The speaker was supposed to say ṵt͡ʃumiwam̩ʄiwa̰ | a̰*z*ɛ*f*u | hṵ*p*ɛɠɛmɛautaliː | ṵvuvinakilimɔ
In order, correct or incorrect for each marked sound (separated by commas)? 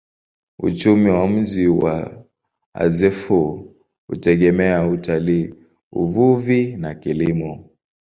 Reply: correct, correct, incorrect